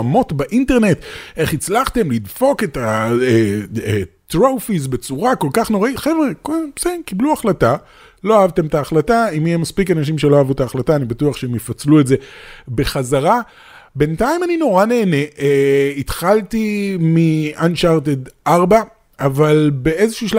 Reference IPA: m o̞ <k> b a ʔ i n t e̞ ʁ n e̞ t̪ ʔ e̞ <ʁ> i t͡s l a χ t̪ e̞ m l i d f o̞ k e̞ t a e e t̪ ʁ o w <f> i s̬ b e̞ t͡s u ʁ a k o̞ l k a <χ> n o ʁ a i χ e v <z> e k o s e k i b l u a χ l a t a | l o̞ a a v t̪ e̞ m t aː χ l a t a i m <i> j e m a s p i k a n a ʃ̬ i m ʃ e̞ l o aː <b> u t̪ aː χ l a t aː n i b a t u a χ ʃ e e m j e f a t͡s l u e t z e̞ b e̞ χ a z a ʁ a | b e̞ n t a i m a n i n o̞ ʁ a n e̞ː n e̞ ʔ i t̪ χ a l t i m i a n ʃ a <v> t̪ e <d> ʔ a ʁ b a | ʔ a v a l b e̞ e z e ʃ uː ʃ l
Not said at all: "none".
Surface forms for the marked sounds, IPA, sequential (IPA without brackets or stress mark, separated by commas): t, χ, f, χ, ʁ, i, v, ʁ, d